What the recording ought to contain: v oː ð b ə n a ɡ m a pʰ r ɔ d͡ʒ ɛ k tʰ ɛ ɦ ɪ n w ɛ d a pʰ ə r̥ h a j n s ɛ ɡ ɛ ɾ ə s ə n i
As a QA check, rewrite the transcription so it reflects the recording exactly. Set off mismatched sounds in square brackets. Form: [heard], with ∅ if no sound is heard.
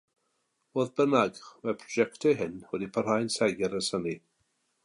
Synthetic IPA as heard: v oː ð b ə n a ɡ m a pʰ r ɔ d͡ʒ ɛ k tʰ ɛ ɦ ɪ n w ɛ d [i] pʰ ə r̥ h a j n s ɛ ɡ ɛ ɾ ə s ə n i